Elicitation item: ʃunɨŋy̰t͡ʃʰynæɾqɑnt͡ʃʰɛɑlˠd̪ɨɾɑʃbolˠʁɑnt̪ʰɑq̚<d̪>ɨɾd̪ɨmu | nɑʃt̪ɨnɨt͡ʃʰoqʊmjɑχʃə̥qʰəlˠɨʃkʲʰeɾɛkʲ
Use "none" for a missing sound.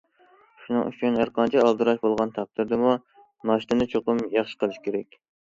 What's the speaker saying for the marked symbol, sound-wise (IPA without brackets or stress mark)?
t̪